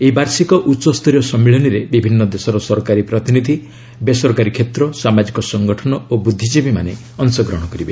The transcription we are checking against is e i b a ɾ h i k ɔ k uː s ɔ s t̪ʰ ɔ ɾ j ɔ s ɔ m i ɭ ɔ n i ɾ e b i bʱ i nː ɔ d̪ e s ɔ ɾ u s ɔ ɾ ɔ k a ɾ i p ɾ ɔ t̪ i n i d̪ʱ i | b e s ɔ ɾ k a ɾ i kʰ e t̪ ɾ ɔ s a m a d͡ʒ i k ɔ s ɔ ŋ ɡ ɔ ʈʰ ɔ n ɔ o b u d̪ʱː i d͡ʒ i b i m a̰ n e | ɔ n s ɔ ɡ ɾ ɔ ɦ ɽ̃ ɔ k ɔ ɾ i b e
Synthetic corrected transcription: e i b a ɾ s i k ɔ ʔ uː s ɔ s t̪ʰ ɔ ɾ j ɔ s ɔ m i ɭ ɔ n i ɾ e b i bʱ i nː ɔ d̪ e s ɔ ɾ ɔ s ɔ ɾ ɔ k a ɾ i p ɾ ɔ t̪ i n i d̪ʱ i | b e s ɔ ɾ k a ɾ i kʰ e t̪ ɾ ɔ s a m a d͡ʒ i k ɔ s ɔ ŋ ɡ ɔ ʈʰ ɔ n ɔ o b u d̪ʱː i d͡ʒ i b i m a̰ n e | ɔ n s ɔ ɡ ɾ ɔ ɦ ɽ̃ ɔ k ɔ ɾ i b e